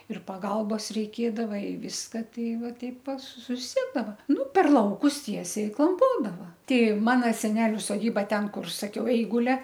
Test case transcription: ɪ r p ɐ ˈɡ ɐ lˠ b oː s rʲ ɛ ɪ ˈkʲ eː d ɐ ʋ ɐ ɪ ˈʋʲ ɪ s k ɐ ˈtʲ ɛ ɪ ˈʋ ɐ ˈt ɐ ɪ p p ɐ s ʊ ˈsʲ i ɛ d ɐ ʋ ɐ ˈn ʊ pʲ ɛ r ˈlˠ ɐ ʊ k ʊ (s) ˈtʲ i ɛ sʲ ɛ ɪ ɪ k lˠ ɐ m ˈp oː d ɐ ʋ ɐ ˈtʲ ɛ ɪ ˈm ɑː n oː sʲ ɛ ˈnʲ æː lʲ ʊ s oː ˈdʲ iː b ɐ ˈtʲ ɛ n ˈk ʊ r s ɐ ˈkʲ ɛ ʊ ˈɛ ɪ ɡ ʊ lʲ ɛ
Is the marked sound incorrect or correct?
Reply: correct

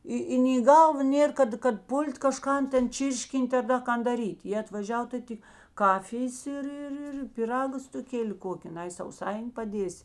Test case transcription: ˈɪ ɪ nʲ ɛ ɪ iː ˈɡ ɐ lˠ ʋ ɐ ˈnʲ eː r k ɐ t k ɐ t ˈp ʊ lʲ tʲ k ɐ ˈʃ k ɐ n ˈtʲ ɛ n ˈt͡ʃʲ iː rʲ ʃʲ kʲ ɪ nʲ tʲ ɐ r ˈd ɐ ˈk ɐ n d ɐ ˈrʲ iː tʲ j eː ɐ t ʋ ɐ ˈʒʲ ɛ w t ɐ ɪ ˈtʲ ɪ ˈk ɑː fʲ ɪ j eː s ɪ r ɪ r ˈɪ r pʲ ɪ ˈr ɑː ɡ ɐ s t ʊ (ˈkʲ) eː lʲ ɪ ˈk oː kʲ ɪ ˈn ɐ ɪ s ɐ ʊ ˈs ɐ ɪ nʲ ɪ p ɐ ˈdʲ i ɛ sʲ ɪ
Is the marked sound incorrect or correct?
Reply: correct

